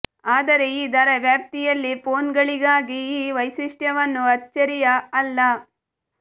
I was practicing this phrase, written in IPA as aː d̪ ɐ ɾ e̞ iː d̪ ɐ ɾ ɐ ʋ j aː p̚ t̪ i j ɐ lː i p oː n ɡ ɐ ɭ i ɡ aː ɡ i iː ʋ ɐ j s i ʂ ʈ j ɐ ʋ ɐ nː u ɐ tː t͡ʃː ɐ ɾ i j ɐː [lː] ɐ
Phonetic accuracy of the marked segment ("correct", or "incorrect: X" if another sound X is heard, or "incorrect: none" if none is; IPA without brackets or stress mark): correct